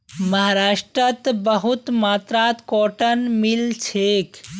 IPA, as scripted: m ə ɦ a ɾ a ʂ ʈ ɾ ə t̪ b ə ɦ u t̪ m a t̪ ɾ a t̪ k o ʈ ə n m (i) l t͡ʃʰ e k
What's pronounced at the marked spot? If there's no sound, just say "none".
i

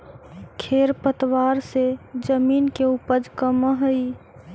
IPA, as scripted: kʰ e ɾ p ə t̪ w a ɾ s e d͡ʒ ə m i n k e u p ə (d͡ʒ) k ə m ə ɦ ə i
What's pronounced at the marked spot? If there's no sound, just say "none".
d͡ʒ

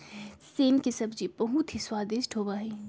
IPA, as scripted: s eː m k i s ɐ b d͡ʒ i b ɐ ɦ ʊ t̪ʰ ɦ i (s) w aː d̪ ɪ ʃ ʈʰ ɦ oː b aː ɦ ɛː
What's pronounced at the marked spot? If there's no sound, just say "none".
s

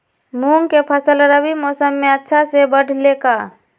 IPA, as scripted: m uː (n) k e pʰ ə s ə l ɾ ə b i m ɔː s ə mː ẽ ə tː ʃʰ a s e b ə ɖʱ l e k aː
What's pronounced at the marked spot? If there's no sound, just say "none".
ŋ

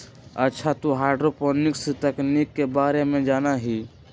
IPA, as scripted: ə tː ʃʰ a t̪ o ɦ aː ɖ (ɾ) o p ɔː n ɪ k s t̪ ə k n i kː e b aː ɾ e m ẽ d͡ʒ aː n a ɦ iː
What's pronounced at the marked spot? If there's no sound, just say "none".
ɾ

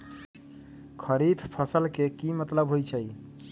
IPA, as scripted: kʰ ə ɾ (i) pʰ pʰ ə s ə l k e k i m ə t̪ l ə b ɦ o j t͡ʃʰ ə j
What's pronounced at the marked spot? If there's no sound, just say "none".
i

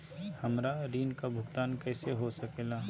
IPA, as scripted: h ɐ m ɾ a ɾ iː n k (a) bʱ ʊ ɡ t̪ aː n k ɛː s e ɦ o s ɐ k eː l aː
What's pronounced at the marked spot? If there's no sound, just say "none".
a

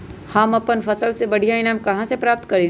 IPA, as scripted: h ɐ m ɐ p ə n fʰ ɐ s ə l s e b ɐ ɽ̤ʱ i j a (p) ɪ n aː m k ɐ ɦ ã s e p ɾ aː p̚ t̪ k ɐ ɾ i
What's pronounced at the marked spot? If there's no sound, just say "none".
none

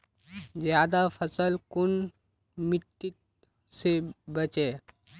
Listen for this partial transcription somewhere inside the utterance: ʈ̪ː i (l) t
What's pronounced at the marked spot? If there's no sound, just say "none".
none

